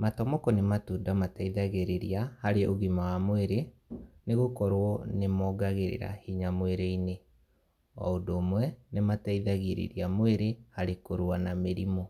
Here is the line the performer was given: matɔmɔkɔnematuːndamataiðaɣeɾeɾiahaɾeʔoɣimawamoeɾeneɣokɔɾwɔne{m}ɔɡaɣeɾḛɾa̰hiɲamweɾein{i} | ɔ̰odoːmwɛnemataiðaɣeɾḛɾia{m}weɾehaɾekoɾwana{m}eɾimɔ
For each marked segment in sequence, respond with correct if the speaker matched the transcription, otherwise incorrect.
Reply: correct, incorrect, correct, correct

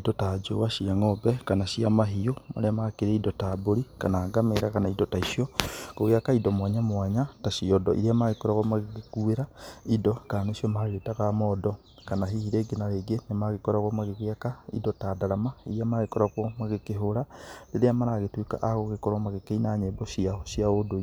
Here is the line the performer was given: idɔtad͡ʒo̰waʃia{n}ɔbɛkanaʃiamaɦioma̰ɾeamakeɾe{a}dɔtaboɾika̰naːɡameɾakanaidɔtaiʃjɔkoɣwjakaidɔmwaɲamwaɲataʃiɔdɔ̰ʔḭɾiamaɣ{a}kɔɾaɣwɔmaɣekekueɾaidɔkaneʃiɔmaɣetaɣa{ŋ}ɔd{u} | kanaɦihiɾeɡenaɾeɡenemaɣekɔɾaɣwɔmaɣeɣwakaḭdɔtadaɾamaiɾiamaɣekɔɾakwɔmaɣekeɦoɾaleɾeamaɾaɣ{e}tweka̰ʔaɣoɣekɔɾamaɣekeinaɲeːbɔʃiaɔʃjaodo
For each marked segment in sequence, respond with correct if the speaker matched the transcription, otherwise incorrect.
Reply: incorrect, incorrect, incorrect, incorrect, incorrect, correct

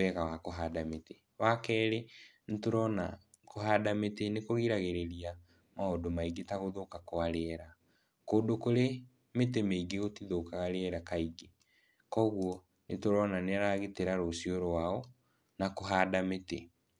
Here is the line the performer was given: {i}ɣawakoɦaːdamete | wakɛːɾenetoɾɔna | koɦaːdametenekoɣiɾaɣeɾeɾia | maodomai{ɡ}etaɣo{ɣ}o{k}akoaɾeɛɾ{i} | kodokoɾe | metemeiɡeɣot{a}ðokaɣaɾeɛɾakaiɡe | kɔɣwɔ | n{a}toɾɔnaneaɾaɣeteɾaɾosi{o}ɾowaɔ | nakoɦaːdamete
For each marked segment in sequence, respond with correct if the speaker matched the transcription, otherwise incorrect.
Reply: incorrect, correct, incorrect, correct, incorrect, incorrect, incorrect, correct

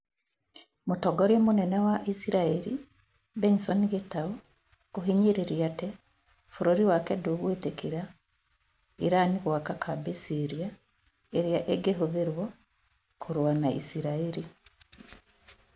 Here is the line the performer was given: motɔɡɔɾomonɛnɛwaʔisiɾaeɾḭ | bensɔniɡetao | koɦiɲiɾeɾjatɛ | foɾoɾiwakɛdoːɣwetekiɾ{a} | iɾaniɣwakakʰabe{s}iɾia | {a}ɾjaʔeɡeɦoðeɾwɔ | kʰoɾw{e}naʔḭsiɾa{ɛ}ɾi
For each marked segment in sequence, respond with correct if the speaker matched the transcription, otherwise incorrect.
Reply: correct, correct, incorrect, incorrect, incorrect

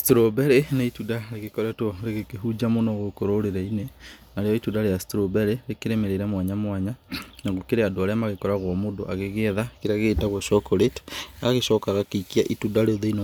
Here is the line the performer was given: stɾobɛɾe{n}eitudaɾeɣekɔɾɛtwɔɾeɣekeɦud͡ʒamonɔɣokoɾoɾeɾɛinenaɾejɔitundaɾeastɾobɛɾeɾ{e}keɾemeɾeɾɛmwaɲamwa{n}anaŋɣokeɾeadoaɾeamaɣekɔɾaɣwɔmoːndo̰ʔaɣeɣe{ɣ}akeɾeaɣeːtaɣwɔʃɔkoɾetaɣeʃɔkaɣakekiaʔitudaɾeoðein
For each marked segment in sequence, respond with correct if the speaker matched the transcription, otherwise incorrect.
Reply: correct, correct, incorrect, incorrect

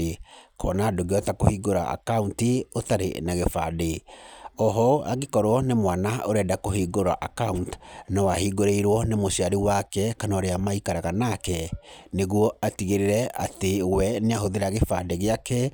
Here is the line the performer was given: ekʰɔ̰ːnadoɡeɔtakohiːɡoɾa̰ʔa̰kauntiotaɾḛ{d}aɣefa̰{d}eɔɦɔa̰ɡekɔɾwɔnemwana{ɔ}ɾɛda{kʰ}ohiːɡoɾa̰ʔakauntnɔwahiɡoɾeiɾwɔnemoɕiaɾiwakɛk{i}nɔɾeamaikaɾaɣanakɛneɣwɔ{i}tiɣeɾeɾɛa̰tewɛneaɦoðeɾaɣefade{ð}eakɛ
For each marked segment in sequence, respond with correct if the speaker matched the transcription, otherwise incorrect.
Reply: incorrect, correct, incorrect, incorrect, incorrect, incorrect, incorrect

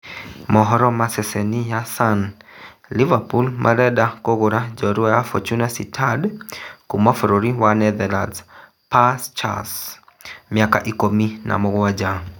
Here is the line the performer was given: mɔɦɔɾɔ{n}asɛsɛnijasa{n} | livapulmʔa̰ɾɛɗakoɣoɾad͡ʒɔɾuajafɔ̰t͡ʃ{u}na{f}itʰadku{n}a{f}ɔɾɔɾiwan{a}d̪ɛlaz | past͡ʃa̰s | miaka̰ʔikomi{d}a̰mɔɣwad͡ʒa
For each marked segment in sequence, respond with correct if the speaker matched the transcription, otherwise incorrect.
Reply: incorrect, correct, correct, incorrect, incorrect, correct, incorrect, incorrect

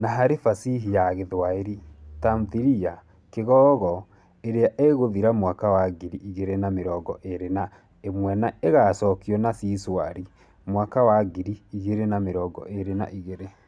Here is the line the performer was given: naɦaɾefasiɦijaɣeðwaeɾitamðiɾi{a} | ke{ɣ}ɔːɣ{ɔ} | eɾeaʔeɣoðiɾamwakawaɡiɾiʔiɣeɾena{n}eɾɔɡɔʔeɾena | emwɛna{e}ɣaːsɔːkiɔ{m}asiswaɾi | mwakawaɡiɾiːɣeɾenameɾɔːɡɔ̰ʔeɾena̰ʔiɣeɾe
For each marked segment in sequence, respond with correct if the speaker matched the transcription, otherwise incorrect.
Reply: correct, correct, correct, incorrect, correct, incorrect

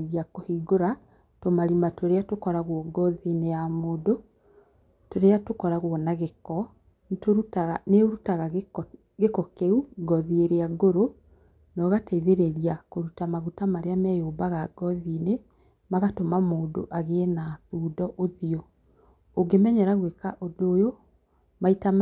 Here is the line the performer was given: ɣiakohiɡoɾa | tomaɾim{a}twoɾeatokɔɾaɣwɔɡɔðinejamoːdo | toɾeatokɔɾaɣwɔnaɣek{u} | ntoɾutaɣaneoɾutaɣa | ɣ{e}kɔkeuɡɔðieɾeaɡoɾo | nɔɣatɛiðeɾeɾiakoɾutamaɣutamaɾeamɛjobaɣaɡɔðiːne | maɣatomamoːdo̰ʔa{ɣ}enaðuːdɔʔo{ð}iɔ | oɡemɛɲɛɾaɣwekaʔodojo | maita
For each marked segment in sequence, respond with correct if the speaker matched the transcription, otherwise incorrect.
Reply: correct, incorrect, correct, correct, correct

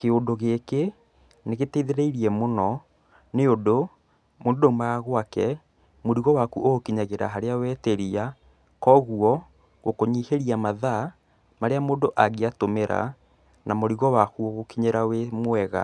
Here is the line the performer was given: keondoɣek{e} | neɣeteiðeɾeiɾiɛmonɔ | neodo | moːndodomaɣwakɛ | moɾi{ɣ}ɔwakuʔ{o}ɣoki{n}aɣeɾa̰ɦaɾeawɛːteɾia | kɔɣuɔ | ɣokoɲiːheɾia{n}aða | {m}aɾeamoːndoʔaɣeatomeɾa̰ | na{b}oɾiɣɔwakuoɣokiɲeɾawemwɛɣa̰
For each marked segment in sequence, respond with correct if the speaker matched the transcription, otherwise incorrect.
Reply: correct, correct, correct, incorrect, incorrect, correct, incorrect

